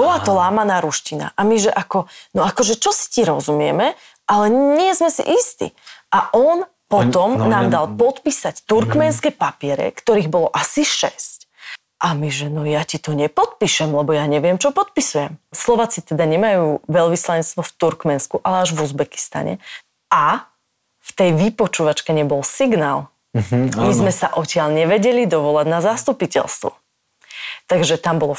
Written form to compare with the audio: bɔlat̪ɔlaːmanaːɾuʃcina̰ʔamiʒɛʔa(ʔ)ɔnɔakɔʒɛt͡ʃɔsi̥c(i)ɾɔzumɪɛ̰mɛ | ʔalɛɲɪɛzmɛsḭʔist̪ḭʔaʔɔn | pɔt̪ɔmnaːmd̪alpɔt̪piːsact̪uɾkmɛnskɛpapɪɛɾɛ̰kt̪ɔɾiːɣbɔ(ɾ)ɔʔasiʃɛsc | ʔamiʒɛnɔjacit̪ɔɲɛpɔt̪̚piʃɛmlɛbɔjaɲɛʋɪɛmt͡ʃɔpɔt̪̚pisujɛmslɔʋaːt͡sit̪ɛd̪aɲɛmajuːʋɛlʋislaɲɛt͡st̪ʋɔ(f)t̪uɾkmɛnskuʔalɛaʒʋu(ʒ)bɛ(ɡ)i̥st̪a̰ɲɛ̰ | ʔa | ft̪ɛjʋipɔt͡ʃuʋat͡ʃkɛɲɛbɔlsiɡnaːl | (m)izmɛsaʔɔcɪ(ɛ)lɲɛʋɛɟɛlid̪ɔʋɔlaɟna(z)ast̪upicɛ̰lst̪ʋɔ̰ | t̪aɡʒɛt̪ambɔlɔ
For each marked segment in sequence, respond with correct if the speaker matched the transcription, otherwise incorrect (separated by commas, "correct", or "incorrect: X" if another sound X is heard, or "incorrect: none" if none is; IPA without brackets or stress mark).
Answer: incorrect: k, correct, incorrect: l, correct, incorrect: z, incorrect: k, correct, incorrect: a, correct